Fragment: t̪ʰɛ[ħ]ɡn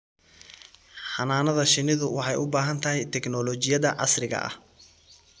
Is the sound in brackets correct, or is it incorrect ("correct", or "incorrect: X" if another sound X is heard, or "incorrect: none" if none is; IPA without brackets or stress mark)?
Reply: incorrect: none